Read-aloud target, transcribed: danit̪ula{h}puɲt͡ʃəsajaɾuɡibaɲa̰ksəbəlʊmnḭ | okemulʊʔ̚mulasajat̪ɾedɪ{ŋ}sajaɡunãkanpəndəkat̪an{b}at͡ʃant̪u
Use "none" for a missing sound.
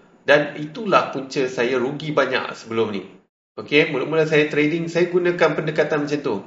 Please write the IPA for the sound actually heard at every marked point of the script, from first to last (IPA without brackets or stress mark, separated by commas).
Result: h, ŋ, m